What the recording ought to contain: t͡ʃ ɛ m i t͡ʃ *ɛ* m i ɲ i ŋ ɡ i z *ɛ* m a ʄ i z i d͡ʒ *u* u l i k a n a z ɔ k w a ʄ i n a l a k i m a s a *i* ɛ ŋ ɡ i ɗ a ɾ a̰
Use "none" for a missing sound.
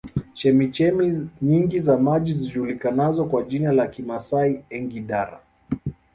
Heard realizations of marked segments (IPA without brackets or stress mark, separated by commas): ɛ, a, u, i